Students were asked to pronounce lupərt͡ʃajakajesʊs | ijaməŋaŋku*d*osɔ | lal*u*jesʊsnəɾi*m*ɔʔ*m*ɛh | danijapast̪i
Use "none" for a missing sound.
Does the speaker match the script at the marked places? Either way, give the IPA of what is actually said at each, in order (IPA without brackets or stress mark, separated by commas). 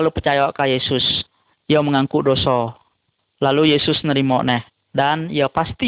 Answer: d, u, m, n